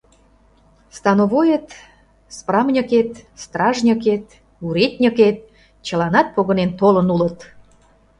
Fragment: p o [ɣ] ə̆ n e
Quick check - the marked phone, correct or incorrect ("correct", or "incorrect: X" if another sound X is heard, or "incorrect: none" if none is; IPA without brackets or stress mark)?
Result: correct